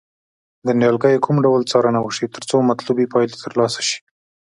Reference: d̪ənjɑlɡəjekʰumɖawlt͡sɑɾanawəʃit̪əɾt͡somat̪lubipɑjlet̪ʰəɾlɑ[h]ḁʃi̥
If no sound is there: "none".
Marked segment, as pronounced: s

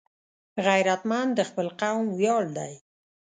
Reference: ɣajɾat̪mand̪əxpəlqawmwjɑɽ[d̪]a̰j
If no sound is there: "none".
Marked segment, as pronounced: d̪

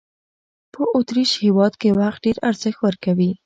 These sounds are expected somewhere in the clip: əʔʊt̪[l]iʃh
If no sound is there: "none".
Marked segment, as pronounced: ɾ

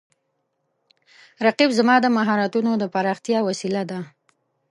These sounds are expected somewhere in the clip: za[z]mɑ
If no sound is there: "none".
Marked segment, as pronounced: none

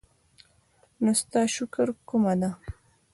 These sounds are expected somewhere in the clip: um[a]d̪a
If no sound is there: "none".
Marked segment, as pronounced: a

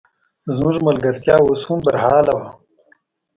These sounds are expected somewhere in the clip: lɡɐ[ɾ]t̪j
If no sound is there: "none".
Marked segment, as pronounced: ɾ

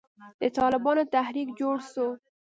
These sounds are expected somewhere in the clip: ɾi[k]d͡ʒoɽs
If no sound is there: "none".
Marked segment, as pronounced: k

